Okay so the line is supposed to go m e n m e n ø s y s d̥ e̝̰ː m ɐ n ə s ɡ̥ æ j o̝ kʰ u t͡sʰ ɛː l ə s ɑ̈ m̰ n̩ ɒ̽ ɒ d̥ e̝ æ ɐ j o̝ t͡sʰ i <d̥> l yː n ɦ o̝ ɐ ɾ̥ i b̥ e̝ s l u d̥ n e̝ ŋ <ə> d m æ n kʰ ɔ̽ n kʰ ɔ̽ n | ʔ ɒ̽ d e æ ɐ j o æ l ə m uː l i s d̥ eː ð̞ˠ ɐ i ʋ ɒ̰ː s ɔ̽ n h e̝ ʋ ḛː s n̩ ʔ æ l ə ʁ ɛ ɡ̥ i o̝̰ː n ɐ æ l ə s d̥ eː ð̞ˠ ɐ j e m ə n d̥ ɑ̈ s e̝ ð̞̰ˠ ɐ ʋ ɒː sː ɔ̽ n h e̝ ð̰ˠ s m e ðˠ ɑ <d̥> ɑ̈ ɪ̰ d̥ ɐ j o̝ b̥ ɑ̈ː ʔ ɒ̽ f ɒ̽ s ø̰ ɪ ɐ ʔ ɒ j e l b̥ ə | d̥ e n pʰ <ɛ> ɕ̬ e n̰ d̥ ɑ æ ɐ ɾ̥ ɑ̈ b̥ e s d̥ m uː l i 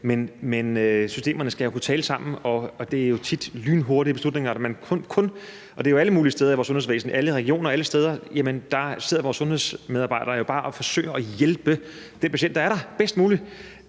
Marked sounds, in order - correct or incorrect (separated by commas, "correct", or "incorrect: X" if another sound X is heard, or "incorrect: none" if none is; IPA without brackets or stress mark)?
correct, incorrect: ɐ, incorrect: b̥, incorrect: æ